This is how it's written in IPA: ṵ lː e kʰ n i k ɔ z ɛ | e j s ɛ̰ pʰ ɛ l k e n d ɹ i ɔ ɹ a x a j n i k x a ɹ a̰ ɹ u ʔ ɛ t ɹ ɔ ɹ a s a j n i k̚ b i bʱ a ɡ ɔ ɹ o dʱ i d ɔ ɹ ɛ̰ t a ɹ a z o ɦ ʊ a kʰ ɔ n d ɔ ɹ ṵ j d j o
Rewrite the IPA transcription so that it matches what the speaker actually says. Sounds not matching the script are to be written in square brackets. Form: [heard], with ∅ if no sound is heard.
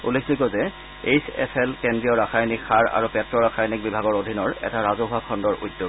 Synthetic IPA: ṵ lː e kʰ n i k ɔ z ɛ | e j s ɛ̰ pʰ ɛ l k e n d ɹ i ɔ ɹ a x a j n i k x a ɹ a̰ ɹ u [p] ɛ t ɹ ɔ ɹ a [x] a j n i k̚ b i bʱ a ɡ ɔ ɹ o dʱ i [n] ɔ ɹ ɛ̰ t a ɹ a z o ɦ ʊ a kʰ ɔ n d ɔ ɹ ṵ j d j o